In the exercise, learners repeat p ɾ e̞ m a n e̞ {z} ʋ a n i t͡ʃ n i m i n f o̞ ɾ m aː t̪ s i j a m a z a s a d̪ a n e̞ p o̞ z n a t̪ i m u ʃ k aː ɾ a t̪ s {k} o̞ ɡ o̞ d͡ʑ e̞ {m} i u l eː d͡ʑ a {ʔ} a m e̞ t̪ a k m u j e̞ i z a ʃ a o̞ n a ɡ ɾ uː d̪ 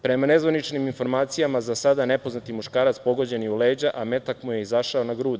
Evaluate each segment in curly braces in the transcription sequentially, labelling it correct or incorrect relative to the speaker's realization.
correct, incorrect, incorrect, correct

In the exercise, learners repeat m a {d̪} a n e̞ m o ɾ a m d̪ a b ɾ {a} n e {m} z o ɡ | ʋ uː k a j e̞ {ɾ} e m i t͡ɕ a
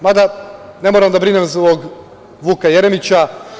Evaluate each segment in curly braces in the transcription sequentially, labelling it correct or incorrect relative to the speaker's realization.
correct, incorrect, correct, correct

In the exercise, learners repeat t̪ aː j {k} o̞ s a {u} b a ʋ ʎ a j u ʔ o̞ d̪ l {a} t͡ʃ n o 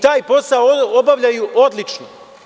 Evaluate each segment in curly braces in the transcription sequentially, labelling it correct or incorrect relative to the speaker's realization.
incorrect, incorrect, incorrect

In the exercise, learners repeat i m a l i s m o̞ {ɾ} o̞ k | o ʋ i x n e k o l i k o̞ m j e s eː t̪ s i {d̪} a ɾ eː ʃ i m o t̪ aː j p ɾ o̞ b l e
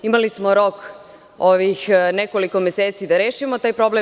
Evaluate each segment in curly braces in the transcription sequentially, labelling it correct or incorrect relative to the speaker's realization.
correct, correct

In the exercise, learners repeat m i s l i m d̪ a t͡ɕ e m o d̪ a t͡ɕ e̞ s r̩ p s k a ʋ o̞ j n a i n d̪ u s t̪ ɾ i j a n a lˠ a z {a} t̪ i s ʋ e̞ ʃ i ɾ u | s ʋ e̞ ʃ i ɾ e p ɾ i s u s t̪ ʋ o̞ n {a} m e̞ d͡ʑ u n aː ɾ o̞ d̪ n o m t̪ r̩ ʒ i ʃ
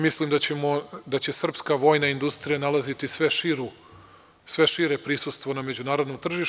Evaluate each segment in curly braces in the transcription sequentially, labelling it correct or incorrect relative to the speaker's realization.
incorrect, correct

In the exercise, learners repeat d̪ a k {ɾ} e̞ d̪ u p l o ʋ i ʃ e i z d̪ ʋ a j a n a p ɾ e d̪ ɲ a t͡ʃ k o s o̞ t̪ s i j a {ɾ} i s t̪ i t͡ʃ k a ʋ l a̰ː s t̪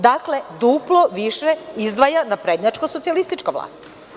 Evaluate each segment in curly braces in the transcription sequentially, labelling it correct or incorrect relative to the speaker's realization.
incorrect, incorrect

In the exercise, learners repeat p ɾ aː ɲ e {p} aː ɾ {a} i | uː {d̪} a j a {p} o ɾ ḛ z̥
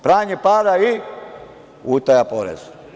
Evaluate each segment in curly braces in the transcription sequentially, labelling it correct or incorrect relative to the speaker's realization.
correct, correct, incorrect, correct

